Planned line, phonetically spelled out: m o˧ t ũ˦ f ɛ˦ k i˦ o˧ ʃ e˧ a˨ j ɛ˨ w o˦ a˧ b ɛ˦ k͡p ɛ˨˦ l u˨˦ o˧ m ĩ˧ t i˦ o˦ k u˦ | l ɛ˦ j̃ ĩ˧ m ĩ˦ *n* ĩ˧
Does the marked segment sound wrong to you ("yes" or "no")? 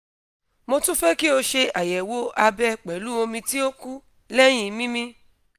yes